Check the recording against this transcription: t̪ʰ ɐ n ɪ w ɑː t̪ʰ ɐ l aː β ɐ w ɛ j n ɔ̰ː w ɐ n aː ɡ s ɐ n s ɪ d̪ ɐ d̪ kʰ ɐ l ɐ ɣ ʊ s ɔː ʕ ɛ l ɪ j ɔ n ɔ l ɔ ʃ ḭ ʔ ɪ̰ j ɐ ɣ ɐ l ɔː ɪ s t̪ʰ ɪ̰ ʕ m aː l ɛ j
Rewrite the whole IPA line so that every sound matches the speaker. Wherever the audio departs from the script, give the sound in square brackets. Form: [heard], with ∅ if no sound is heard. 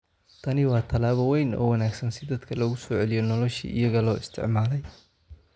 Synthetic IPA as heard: t̪ʰ ɐ n ɪ w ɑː t̪ʰ ɐ l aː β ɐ w ɛ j n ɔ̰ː w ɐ n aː ɡ s ɐ n s ɪ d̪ ɐ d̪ kʰ ɐ l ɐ ɣ ʊ s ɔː ʕ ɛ l ɪ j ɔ n ɔ l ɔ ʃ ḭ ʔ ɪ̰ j ɐ ɣ ɐ l ɔː ɪ s t̪ʰ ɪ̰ ʕ m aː l ɛ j